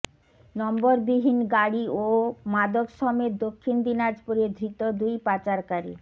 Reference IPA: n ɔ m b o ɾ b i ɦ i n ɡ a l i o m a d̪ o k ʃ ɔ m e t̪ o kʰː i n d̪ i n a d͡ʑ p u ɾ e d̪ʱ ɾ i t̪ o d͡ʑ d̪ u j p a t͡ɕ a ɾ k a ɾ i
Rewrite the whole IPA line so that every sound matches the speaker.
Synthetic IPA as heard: n ɔ m b o ɾ b i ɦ i n ɡ a ɽ i o m a d̪ o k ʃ ɔ m e d̪ o kʰː i n d̪ i n a d͡ʑ p u ɾ e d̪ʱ ɾ i t̪ o d̪ u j p a t͡ɕ a ɾ k a ɾ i